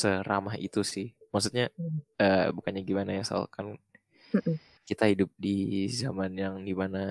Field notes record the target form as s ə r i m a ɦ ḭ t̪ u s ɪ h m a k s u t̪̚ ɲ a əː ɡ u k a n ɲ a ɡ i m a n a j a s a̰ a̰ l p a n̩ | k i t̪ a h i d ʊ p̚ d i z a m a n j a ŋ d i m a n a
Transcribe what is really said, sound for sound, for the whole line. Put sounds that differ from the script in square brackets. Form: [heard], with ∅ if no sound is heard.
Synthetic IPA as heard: s ə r [a] m a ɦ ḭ t̪ u s ɪ h m a k s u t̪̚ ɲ a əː [b] u k a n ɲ a ɡ i m a n a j a s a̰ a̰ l [k] a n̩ | k i t̪ a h i d ʊ p̚ d i z a m a n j a ŋ d i m a n a